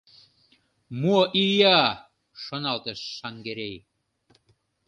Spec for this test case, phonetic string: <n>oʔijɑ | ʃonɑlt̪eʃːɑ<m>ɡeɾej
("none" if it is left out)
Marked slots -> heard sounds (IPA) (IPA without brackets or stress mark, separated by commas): m, ŋ